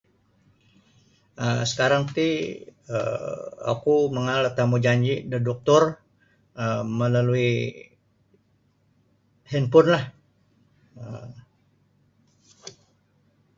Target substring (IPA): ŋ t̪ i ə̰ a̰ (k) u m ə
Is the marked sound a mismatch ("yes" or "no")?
no